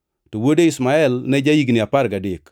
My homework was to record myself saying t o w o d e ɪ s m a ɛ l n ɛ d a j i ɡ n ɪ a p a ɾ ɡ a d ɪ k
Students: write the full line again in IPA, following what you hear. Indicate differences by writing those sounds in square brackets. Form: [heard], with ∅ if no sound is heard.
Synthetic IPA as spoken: t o w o d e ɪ s m a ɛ l n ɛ [d͡ʒ] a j i ɡ n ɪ a p a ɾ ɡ a d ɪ k